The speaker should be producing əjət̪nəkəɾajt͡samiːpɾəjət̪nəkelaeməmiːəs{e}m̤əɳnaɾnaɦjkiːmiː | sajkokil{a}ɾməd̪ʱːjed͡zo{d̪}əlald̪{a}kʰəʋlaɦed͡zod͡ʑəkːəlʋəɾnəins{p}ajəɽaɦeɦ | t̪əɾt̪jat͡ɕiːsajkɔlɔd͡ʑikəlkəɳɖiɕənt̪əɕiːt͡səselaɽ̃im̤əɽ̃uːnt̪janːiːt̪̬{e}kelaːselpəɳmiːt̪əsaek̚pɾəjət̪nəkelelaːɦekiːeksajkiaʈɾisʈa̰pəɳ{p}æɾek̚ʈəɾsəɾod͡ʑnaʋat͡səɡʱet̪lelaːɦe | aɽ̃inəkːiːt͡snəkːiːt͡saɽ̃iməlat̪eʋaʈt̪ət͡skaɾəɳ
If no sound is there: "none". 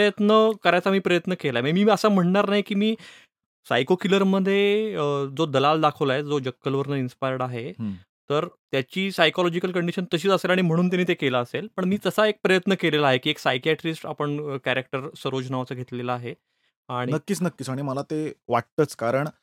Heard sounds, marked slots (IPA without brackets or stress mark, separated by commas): a, ə, d̪, a, p, e, k